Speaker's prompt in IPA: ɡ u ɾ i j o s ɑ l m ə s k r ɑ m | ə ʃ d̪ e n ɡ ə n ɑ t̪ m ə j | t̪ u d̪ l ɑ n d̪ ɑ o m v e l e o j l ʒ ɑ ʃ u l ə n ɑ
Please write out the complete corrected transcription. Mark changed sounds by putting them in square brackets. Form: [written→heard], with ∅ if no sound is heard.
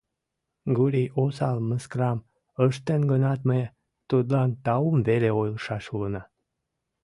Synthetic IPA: ɡ u ɾ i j o s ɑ l m ə s k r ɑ m | ə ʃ [d̪→t̪] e n ɡ ə n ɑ t̪ m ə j | t̪ u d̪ l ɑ n [d̪→t̪] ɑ [o→u] m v e l e o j l [ʒ→ʃ] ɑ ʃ u l ə n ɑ